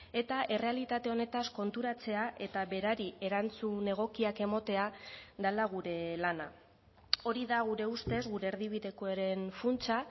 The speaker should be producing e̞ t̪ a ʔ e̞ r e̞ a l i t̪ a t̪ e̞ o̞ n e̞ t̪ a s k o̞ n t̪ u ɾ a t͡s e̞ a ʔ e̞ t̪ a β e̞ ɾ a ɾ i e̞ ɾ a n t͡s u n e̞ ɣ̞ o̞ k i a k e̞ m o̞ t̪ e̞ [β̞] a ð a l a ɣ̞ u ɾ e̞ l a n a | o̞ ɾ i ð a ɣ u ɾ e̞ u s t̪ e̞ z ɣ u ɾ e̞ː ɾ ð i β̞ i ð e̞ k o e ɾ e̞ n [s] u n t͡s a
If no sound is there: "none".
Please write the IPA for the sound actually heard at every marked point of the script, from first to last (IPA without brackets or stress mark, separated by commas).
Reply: none, f